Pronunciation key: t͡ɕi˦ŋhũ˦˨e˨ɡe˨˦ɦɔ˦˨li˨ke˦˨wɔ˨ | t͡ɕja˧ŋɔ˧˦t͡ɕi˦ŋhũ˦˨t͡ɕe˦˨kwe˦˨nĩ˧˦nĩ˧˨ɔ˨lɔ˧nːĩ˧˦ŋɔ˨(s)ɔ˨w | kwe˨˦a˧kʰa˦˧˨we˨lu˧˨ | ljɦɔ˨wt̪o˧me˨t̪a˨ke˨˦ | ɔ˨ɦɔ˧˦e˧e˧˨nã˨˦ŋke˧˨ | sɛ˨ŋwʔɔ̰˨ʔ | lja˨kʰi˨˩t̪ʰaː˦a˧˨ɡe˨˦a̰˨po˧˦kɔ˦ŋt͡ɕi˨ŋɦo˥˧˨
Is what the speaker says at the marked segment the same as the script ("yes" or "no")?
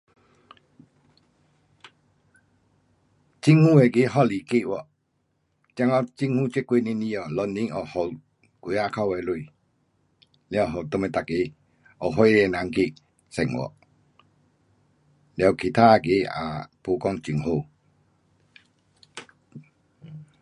no